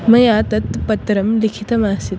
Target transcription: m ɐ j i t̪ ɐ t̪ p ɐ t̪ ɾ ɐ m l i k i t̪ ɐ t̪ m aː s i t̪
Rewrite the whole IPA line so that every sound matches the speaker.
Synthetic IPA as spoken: m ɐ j a t̪ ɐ t̪ p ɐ t̪ ɾ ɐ m l i kʰ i t̪ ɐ m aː s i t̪